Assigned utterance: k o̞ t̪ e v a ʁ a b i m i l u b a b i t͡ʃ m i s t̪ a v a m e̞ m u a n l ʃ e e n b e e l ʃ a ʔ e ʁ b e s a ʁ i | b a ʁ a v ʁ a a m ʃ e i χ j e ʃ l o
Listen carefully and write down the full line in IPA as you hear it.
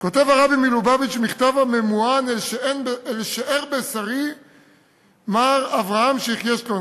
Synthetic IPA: k o̞ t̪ e v a ʁ a b i m i l u b a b i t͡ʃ m i χ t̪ a v a m e̞ m u a n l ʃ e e n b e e l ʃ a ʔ e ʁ b e s a ʁ i | m a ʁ a v ʁ a a m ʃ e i χ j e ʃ l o